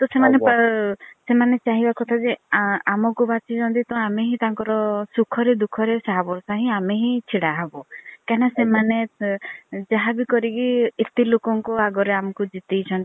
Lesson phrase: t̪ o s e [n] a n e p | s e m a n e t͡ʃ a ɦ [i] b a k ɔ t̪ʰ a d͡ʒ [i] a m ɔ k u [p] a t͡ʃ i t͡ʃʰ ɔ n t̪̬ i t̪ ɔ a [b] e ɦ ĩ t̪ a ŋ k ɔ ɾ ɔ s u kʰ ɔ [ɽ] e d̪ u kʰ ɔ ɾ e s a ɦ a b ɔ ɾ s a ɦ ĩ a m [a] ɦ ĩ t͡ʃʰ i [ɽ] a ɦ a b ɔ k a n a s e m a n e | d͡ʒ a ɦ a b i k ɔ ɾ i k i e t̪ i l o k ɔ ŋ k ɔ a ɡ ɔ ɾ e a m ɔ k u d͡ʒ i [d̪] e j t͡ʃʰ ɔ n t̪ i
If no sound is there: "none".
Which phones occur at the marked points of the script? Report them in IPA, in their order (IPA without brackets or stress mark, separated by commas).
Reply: m, i, e, b, m, ɾ, e, ɽ, t̪